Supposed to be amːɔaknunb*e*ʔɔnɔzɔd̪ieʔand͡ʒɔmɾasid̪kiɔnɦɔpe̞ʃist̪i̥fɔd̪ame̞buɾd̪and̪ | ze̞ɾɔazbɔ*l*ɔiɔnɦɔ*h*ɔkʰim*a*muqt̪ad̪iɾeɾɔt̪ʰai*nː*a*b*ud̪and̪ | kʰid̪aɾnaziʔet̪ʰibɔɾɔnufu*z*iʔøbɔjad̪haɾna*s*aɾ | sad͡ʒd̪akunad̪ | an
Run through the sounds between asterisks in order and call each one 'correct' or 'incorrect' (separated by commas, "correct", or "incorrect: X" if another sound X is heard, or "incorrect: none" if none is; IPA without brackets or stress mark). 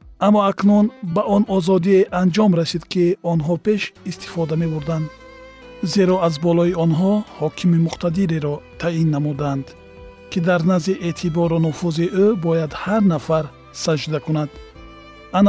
incorrect: a, correct, correct, incorrect: i, correct, incorrect: m, correct, incorrect: f